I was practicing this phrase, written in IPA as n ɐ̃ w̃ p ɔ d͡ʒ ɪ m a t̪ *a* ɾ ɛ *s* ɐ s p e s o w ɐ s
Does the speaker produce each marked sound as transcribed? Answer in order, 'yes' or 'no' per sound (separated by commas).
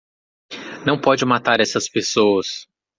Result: yes, yes